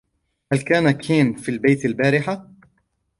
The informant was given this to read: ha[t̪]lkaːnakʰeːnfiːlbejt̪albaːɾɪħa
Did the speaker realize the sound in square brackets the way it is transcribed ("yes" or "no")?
no